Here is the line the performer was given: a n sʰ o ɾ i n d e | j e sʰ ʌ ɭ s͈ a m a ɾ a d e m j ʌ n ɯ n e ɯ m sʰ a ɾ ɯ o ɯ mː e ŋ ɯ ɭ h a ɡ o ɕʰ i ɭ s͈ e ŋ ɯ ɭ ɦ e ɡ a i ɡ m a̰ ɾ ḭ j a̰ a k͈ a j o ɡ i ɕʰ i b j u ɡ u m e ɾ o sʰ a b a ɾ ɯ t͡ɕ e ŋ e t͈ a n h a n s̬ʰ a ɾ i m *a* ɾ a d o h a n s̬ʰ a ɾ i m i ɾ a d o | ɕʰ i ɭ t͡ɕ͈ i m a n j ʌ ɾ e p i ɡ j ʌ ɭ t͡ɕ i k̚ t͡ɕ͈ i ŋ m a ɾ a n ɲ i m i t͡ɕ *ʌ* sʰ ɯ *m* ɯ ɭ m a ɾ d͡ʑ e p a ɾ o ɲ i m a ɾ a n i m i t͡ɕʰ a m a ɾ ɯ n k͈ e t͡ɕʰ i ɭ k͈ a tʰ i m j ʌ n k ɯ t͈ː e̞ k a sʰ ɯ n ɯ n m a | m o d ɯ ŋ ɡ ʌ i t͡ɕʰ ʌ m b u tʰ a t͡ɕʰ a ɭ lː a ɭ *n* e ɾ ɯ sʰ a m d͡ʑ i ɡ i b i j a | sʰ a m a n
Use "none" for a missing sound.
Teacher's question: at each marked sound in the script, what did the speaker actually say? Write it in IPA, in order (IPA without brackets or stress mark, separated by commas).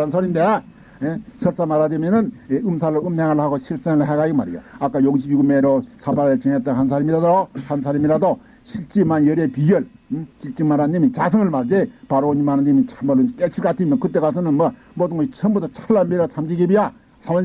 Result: i, a, ŋ, m